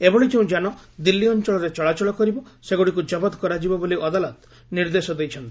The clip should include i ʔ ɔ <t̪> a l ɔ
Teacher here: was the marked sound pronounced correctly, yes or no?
no